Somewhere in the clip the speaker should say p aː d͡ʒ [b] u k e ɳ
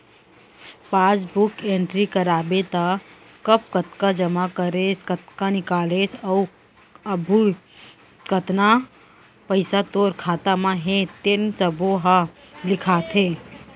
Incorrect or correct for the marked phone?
correct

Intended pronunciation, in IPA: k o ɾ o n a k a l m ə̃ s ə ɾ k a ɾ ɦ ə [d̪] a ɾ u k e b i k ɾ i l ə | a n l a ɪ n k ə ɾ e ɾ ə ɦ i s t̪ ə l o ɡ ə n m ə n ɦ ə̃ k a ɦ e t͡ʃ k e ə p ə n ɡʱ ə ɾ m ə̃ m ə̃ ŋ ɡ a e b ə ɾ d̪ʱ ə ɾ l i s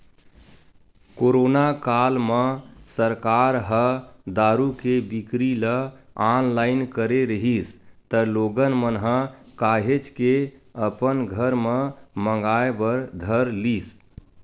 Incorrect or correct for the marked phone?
correct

